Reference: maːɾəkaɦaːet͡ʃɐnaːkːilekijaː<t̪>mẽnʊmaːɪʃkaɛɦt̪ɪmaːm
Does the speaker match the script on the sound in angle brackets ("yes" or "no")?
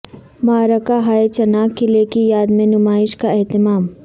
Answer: no